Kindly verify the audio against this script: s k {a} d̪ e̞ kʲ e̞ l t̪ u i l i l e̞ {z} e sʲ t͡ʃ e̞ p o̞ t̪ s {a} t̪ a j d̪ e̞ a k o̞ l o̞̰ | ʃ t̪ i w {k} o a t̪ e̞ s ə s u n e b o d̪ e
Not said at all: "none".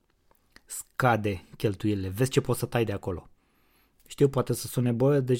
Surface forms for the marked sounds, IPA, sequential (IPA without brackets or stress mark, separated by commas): a, v, ə, p